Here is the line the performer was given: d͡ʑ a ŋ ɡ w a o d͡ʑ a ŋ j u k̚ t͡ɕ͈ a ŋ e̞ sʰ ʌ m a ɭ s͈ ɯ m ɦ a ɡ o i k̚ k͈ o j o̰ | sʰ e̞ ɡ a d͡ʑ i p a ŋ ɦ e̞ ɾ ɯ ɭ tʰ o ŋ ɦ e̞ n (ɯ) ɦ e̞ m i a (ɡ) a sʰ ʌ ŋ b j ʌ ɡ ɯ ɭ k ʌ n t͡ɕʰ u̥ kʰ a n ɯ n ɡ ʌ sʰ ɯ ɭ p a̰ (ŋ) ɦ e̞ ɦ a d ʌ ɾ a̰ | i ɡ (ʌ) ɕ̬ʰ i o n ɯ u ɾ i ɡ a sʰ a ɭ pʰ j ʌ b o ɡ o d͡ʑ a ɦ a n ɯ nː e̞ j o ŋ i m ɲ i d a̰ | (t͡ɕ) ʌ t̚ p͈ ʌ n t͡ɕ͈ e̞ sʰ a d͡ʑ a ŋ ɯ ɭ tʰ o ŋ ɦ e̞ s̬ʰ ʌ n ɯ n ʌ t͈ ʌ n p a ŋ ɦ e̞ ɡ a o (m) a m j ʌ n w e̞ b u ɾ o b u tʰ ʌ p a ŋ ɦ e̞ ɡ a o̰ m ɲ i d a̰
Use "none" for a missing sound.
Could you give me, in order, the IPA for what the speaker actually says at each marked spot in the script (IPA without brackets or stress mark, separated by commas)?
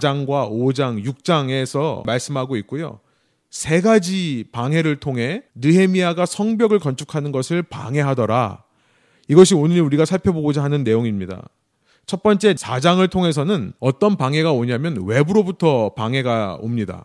ɯ, ɡ, ŋ, ʌ, t͡ɕʰ, ɲ